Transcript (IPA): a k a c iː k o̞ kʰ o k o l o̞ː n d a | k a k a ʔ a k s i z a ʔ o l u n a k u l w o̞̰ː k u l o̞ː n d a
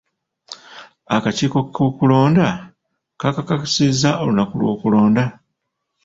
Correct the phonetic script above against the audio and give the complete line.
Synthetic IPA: a k a c iː k o̞ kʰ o k u l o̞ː n d a | k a k a k a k s i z a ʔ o l u n a k u l w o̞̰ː k u l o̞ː n d a